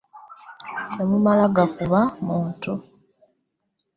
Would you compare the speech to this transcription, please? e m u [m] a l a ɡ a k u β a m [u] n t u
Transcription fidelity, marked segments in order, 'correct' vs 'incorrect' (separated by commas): correct, incorrect